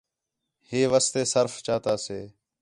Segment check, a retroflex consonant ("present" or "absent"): absent